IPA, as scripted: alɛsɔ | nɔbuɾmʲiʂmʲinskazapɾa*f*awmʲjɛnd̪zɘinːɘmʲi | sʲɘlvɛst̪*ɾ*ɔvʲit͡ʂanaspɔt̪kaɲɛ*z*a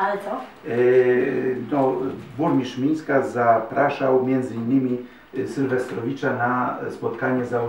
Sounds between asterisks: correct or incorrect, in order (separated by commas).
incorrect, correct, correct